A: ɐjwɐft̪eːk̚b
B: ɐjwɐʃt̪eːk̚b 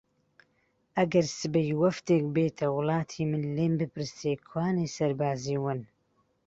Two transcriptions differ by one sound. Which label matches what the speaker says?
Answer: A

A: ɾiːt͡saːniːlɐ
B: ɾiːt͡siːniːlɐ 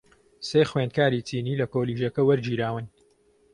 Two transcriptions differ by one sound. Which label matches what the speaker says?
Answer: B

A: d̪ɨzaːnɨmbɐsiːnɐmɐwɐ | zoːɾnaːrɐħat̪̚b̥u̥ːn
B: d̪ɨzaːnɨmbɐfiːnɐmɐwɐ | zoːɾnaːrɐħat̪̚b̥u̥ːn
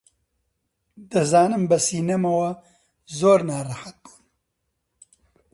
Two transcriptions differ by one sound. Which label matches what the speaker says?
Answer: A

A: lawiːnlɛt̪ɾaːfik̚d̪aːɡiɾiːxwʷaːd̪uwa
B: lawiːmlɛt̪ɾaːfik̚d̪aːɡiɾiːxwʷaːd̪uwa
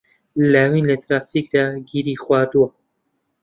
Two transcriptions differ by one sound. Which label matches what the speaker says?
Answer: A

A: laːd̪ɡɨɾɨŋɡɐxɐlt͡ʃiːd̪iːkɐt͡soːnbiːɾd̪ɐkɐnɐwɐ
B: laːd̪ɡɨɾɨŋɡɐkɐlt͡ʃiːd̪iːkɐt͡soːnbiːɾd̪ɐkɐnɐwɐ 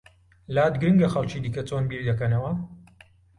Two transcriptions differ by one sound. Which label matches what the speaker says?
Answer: A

